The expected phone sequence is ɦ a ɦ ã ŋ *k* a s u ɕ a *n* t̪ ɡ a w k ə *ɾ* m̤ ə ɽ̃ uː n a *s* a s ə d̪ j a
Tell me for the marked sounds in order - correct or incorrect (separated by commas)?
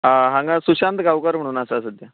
incorrect, correct, correct, correct